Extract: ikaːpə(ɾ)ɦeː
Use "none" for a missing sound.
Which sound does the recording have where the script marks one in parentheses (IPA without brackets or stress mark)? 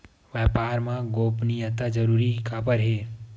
ɾ